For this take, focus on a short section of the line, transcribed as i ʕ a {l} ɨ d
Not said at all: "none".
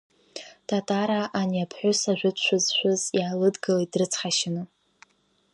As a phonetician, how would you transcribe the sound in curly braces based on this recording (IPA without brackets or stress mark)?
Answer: l